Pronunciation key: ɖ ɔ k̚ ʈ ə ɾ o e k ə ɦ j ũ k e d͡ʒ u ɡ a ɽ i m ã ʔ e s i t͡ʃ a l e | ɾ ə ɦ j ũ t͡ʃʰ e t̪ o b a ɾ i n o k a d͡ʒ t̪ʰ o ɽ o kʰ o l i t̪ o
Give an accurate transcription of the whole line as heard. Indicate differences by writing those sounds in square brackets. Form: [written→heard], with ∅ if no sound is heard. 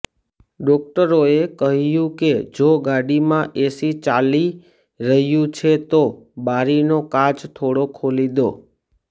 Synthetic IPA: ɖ ɔ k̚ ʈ ə ɾ o e k ə ɦ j ũ k e d͡ʒ [u→o] ɡ a ɽ i m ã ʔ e s i t͡ʃ a l [e→i] | ɾ ə ɦ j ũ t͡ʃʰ e t̪ o b a ɾ i n o k a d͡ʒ t̪ʰ o ɽ o kʰ o l i [t̪→d̪] o